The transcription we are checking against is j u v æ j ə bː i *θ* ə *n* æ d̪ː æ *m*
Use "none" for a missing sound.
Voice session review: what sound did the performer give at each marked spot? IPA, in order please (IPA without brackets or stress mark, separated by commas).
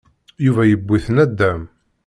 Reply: θ, n, m